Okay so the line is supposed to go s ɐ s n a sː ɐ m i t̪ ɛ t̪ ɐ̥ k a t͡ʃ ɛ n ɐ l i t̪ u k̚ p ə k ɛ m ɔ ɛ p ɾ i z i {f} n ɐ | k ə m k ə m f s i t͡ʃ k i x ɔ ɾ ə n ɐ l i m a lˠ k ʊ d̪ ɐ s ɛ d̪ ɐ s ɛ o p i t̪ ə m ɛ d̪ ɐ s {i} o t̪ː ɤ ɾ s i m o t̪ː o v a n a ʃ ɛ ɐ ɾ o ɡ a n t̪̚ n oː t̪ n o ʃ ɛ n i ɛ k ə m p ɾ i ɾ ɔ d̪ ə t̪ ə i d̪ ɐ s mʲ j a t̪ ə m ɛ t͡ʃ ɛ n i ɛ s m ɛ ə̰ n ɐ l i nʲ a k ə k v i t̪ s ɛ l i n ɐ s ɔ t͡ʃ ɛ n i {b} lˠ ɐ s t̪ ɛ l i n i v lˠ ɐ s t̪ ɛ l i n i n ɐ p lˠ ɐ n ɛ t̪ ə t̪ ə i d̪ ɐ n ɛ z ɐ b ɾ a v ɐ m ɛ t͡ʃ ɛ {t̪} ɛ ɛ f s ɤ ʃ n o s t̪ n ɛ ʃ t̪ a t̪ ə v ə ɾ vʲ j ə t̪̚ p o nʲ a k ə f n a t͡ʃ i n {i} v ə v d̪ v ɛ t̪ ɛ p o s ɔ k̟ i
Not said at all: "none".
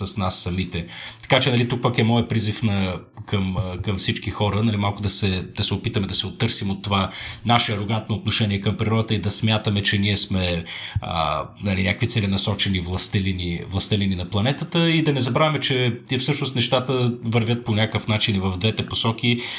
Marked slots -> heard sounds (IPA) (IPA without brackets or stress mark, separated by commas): f, ɛ, v, t̪, i